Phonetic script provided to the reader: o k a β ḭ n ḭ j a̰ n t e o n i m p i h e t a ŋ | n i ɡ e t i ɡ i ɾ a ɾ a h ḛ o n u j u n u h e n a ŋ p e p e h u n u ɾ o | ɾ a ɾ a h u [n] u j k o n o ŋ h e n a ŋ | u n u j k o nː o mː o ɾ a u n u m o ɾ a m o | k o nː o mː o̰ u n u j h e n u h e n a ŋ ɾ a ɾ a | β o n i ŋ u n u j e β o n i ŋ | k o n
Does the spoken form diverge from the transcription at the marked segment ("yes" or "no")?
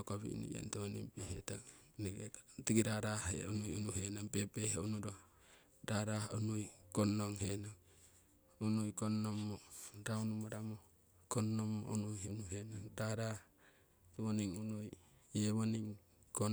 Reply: no